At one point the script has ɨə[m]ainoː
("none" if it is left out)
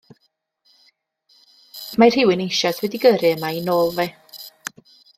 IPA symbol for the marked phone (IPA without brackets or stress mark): m